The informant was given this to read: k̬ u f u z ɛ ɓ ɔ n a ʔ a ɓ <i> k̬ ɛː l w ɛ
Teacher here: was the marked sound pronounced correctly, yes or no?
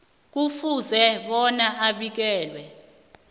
yes